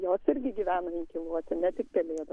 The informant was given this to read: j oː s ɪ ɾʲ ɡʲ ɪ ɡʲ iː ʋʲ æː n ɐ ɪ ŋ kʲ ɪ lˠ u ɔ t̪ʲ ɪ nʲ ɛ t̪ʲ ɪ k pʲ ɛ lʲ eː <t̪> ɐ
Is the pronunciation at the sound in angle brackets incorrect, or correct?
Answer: incorrect